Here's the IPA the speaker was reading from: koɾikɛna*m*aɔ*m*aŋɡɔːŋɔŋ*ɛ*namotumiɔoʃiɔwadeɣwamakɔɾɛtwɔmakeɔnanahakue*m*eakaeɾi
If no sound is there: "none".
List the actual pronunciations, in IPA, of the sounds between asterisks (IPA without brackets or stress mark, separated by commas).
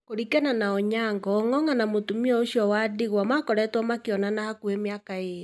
n, ɲ, a, m